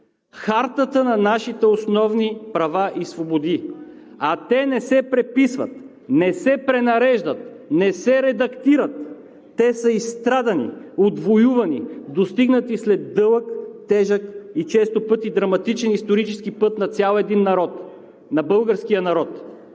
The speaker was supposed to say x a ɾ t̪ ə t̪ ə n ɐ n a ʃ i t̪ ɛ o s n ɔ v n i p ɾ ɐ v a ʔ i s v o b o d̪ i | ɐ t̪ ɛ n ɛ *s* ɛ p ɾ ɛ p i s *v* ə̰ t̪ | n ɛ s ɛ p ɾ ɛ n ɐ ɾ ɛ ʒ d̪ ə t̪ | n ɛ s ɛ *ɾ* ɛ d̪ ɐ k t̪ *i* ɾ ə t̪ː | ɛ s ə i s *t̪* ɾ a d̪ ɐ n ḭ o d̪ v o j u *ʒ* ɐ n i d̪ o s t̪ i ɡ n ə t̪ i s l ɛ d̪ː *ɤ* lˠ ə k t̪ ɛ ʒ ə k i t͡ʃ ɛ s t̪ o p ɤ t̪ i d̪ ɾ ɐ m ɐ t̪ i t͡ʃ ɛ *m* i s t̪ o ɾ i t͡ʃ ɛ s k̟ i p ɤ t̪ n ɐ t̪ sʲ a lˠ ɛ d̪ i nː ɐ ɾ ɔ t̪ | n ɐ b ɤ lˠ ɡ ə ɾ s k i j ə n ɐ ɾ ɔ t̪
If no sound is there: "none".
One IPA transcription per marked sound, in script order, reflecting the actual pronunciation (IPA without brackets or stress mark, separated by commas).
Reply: s, v, ɾ, i, t̪, v, ɤ, n